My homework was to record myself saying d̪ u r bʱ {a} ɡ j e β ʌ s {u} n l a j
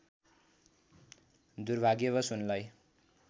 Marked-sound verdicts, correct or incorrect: correct, correct

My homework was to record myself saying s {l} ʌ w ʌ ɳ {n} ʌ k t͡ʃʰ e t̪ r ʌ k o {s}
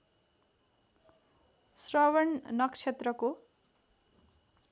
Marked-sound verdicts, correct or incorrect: incorrect, correct, incorrect

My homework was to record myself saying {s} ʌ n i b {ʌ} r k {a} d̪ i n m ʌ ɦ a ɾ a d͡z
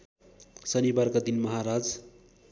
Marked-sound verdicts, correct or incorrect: correct, incorrect, correct

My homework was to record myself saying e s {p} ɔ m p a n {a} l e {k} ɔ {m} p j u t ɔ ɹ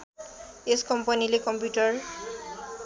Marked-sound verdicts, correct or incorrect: incorrect, incorrect, correct, correct

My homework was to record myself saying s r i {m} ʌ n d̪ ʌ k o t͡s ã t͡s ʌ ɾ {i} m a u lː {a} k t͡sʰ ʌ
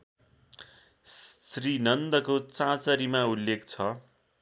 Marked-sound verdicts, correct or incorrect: incorrect, correct, incorrect

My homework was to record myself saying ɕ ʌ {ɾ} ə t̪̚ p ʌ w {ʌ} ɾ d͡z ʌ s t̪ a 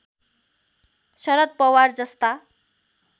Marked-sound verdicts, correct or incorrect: correct, incorrect

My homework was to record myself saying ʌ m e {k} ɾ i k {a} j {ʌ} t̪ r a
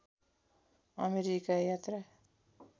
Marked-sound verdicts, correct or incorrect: incorrect, correct, incorrect

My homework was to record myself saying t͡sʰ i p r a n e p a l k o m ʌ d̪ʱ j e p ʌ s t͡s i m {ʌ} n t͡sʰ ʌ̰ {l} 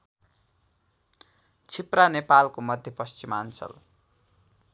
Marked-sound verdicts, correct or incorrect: incorrect, correct

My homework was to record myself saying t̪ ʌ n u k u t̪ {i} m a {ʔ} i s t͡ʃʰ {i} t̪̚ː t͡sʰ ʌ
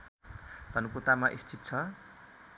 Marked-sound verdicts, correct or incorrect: incorrect, correct, correct

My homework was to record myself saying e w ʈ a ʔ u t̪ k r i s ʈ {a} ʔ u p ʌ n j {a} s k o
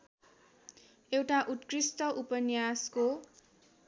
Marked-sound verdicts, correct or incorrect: incorrect, correct

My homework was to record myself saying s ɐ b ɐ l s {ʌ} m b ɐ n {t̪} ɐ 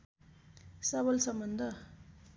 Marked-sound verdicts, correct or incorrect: incorrect, incorrect

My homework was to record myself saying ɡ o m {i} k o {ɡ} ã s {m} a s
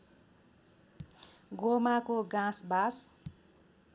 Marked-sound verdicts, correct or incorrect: incorrect, correct, incorrect

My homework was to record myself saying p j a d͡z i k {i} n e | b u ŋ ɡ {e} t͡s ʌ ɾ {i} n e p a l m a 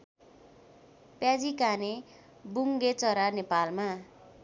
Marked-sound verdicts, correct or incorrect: incorrect, correct, incorrect

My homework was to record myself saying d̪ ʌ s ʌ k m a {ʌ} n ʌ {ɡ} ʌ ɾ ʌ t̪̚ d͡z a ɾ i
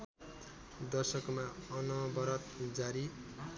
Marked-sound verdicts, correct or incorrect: correct, incorrect

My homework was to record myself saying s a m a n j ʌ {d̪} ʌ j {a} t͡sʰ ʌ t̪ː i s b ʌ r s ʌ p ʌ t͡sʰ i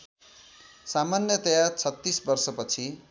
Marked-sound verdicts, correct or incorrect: incorrect, correct

